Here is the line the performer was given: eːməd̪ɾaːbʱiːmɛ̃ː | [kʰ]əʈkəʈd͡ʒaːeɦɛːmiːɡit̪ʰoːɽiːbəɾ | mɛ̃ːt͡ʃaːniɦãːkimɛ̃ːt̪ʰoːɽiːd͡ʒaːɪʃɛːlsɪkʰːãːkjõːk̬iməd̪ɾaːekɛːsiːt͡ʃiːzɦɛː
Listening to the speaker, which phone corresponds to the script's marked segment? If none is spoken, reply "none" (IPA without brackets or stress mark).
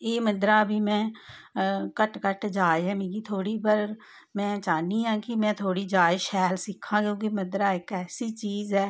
k